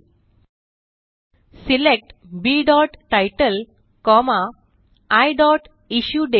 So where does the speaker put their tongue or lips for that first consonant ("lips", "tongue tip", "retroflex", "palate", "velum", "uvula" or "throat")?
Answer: tongue tip